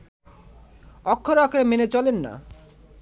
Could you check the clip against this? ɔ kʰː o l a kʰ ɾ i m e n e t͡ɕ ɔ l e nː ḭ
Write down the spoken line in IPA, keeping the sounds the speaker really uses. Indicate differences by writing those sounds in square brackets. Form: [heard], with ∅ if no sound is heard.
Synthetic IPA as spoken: ɔ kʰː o [ɾ] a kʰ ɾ [e] m e n e t͡ɕ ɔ l e nː [a̰]